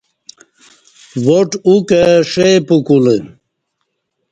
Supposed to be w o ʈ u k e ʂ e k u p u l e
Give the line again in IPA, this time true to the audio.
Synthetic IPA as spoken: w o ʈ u k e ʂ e p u k u l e